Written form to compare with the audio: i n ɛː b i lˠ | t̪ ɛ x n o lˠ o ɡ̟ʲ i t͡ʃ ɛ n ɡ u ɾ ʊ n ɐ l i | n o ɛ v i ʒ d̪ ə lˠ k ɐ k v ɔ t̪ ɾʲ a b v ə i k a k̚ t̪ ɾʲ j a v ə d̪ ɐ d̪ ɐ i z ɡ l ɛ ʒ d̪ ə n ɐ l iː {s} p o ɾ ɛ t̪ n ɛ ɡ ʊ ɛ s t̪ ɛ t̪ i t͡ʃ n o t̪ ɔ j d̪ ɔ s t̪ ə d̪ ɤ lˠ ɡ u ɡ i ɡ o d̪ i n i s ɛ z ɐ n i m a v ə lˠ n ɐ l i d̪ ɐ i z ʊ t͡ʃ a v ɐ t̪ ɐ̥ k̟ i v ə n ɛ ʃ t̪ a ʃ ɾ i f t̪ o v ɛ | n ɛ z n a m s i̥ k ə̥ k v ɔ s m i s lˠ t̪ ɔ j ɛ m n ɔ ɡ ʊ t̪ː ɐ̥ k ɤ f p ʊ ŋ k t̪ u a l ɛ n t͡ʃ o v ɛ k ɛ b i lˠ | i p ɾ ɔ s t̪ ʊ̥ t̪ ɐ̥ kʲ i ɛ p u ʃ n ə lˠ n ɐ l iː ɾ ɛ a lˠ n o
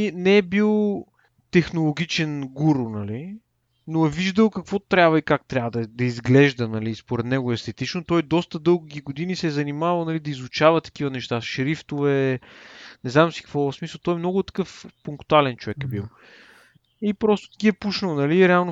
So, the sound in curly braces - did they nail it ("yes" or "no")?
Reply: yes